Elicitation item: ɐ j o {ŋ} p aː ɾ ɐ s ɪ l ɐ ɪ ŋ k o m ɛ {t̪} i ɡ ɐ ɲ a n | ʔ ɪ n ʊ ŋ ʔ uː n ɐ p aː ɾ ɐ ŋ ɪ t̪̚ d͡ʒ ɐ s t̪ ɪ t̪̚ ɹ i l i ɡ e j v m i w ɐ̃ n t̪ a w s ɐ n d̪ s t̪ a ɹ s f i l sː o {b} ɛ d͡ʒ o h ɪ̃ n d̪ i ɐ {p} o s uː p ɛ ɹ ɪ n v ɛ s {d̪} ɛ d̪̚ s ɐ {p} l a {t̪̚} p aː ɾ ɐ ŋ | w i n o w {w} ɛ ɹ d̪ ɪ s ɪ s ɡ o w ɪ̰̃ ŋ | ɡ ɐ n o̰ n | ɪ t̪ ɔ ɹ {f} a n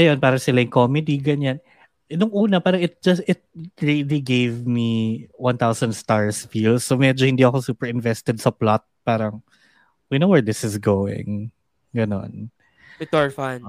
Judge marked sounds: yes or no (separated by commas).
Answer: no, no, no, no, no, yes, yes, yes, yes